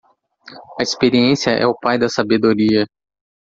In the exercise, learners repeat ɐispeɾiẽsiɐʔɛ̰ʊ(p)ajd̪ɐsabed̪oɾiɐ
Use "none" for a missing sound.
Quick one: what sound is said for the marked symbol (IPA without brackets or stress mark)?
p